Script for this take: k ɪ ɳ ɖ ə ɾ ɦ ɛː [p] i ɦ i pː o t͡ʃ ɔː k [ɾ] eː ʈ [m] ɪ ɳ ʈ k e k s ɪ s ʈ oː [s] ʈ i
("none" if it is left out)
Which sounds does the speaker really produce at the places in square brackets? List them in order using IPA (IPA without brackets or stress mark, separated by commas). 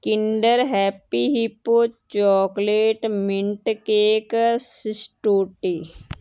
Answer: p, l, m, none